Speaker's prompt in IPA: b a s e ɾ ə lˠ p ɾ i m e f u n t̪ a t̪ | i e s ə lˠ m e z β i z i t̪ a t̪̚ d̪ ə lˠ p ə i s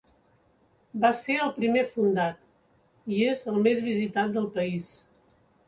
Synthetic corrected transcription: b a s e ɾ ə lˠ p ɾ i m e f u n d̪ a t̪ | i e z ə lˠ m e z β i z i t̪ a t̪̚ d̪ ə lˠ p ə i s